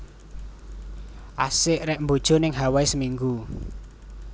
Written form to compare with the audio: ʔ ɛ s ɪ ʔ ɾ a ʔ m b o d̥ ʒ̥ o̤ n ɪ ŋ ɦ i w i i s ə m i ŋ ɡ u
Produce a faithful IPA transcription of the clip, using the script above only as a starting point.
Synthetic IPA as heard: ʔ a s ɪ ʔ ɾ ɛ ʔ m b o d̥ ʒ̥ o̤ n ɪ ŋ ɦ a w a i s ə m i ŋ ɡ u